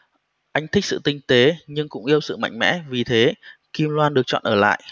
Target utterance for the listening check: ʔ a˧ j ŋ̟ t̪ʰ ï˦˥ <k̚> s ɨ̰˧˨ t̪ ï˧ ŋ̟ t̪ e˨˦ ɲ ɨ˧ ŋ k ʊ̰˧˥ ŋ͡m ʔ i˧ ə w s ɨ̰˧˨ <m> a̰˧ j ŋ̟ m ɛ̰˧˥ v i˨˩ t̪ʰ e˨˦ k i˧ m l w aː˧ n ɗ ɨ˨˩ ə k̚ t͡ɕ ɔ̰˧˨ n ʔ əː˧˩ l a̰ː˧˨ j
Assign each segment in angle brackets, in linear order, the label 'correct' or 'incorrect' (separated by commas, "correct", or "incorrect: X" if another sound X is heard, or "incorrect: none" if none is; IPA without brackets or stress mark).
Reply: correct, correct